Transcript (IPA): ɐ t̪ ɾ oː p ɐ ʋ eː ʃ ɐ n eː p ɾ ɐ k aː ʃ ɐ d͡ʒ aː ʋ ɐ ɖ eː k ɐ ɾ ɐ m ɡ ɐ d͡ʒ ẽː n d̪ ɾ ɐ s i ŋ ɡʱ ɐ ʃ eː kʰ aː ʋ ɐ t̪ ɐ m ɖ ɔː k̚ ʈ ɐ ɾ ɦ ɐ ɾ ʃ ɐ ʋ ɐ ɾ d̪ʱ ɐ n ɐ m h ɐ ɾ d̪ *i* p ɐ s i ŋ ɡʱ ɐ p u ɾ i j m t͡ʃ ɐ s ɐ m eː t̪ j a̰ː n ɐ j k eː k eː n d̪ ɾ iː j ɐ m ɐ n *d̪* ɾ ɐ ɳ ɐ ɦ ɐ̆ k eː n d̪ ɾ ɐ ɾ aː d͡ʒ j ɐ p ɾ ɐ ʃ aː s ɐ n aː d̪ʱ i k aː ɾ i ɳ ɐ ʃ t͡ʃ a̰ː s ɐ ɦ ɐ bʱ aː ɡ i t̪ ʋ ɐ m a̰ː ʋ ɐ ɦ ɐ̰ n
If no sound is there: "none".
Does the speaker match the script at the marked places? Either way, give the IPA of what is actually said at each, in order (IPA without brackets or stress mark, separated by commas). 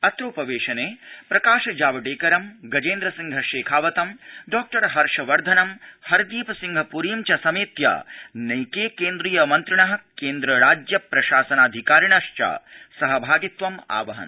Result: iː, t̪